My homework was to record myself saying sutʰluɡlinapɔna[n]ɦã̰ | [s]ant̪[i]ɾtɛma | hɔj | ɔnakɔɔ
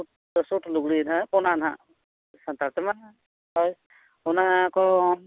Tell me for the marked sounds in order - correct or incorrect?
correct, correct, incorrect: a

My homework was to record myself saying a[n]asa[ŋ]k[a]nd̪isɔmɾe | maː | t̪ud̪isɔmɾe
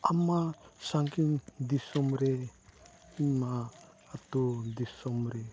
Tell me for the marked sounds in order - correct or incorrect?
incorrect: m, correct, incorrect: i

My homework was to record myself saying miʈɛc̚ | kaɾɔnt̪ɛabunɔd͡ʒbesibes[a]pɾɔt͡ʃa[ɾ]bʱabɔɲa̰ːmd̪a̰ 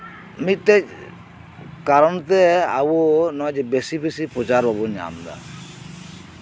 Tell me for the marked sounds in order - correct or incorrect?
incorrect: i, correct

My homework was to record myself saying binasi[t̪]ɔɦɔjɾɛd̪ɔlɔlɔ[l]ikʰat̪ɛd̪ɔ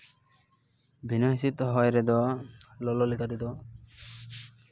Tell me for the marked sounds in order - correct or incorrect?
correct, correct

